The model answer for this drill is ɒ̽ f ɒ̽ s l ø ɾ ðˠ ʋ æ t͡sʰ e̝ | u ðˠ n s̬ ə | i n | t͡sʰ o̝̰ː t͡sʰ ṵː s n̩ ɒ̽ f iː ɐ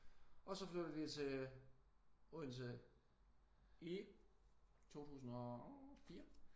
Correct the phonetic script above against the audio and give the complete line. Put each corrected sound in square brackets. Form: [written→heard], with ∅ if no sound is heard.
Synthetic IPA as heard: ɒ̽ [f→s] ɒ̽ [s→f] l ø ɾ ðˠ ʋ [æ→i] t͡sʰ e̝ | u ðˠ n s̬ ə | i [n→∅] | t͡sʰ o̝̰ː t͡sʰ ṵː s n̩ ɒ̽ f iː ɐ